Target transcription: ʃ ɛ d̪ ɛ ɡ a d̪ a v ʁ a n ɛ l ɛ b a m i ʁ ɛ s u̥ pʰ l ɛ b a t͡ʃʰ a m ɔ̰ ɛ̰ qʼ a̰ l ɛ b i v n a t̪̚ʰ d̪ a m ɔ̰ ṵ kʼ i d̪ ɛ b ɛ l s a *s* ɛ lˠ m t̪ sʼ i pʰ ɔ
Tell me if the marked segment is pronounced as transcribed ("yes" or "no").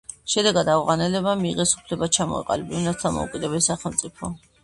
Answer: no